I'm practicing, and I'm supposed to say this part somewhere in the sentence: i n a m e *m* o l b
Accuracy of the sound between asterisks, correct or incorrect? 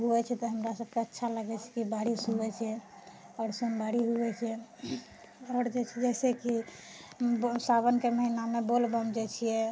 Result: incorrect